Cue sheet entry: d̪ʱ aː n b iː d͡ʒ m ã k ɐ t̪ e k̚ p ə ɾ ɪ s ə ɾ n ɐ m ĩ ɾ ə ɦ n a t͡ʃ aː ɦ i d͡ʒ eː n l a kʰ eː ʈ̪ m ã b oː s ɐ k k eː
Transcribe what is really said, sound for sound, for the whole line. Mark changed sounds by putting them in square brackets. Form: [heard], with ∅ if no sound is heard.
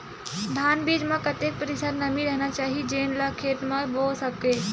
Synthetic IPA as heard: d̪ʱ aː n b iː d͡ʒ m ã k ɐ t̪ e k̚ p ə ɾ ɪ s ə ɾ n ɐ m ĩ ɾ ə ɦ n a t͡ʃ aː ɦ i d͡ʒ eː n l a kʰ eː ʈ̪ m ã b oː s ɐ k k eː